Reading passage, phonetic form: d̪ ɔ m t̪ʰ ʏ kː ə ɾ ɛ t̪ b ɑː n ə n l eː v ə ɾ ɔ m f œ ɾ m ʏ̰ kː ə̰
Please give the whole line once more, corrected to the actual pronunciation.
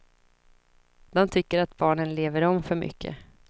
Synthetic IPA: d̪ ɔ m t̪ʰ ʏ kː ə ɾ a t̪ b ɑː ɳ ə n l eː v ə ɾ ɔ m f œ ɾ m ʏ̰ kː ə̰

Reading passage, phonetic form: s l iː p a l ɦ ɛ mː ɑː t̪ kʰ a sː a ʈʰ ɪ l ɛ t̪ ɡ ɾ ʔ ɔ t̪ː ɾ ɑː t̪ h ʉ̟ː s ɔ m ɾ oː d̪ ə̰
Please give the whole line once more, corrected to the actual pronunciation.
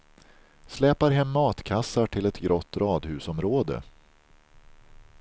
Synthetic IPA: s l ɛː p a ɾ ɦ ɛ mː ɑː t̪ kʰ a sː a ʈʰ ɪ l ɛ t̪ ɡ ɾ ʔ ɔ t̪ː ɾ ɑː d̪ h ʉ̟ː s ɔ m ɾ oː d̪ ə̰

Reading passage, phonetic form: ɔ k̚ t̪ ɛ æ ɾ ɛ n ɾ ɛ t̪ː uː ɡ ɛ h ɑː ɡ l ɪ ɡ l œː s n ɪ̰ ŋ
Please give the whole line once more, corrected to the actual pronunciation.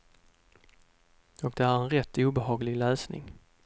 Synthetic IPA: ɔ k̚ d̪ ɛ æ ɾ ɛ n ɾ ɛ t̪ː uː b ɛ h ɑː ɡ l ɪ ɡ l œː s n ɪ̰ ŋ

